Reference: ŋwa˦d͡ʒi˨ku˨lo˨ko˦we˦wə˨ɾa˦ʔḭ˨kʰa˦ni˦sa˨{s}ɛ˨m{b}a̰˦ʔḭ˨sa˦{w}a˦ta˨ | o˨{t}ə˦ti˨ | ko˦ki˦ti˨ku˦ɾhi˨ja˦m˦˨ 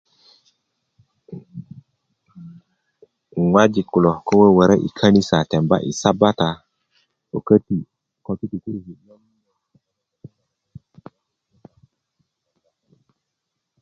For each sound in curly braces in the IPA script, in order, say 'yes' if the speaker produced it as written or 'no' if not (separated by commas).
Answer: no, yes, no, no